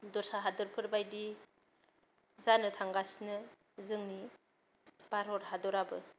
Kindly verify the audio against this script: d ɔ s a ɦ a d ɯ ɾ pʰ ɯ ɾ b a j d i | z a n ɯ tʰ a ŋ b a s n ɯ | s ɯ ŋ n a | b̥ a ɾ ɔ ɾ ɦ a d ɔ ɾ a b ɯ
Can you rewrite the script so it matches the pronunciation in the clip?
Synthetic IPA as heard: d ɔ s a ɦ a d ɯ ɾ pʰ ɯ ɾ b a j d i | z a n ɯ tʰ a ŋ ɡ a s n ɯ | z ɯ ŋ n i | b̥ a ɾ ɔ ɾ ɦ a d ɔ ɾ a b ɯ